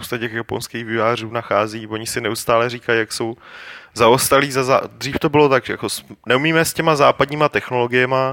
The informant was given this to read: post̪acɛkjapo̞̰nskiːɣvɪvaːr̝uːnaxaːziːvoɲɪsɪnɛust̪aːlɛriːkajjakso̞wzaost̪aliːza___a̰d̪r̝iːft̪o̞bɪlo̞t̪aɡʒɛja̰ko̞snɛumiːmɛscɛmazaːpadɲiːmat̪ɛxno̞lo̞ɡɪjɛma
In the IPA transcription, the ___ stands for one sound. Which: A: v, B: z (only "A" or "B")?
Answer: B